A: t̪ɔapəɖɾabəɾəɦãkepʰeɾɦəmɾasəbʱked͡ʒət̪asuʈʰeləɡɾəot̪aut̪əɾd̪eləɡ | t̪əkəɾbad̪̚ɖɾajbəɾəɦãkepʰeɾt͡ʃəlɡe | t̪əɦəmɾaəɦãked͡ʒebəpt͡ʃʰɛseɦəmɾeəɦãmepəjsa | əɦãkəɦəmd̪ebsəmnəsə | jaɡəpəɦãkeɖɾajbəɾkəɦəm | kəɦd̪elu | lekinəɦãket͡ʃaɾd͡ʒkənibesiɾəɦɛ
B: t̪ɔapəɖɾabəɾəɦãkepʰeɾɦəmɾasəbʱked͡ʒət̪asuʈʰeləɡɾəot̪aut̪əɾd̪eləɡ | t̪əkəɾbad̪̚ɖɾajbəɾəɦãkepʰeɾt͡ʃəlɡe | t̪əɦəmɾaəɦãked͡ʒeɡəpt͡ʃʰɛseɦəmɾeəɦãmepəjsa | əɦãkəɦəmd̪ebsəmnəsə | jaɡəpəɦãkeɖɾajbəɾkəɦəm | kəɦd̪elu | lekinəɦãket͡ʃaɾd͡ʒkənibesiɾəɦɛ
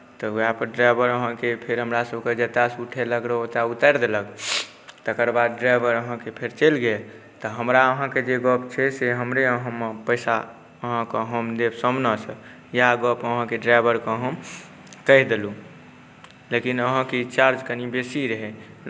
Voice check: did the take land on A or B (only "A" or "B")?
B